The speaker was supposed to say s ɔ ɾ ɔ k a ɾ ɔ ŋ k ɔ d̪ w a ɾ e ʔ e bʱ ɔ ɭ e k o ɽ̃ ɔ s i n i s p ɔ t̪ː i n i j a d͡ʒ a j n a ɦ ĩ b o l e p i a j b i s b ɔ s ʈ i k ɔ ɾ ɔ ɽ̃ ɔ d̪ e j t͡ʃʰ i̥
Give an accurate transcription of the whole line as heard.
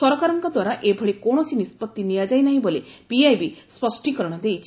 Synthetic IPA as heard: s ɔ ɾ ɔ k a ɾ ɔ ŋ k ɔ d̪ w a ɾ a ʔ e bʱ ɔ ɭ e k o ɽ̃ ɔ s i n i s p ɔ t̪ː i n i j a d͡ʒ a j n a ɦ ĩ b o l e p i a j b i s p ɔ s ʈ i k ɔ ɾ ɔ ɽ̃ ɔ d̪ e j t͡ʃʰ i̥